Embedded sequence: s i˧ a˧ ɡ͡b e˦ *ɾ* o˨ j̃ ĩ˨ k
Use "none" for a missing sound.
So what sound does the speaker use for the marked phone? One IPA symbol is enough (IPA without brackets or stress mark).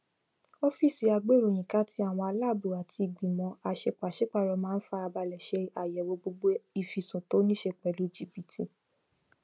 ɾ